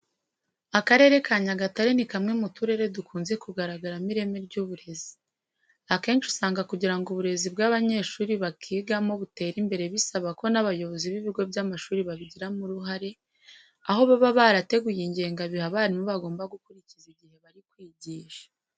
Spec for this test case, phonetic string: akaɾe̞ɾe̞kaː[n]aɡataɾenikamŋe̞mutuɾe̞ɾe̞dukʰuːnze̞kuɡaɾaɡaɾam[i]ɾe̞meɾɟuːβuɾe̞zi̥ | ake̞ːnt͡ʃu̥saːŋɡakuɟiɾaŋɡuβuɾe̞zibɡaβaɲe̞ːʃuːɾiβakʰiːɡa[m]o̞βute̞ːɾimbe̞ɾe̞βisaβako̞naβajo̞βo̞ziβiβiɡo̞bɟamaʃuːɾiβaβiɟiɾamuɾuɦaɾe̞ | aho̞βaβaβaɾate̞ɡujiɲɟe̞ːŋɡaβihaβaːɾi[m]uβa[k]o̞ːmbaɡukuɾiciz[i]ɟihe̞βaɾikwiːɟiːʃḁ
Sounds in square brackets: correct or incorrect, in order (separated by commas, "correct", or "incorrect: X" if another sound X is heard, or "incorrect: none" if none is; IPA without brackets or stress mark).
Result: incorrect: ɲ, correct, correct, correct, incorrect: ɡ, correct